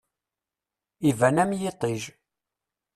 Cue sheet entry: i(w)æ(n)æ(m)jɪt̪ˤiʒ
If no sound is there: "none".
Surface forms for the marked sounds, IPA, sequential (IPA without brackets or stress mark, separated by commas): v, n, m